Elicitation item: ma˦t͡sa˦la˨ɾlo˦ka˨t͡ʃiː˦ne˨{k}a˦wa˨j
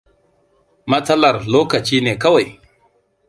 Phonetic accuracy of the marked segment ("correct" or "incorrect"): correct